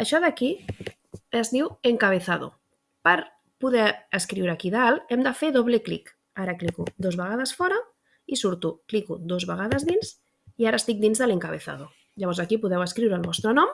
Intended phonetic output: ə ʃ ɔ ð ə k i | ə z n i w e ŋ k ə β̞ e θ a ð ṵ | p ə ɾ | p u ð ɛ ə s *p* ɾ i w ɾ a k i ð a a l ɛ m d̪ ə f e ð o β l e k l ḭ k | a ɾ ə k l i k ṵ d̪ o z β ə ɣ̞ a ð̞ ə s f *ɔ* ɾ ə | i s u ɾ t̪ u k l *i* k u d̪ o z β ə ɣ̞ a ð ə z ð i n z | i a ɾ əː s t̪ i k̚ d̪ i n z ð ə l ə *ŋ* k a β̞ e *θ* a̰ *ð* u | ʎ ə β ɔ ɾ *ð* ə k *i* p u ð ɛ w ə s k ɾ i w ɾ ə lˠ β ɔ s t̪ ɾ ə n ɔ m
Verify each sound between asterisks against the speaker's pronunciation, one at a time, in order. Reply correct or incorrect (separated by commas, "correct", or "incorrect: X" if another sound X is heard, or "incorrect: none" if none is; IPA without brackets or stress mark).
incorrect: k, correct, correct, correct, correct, correct, incorrect: z, correct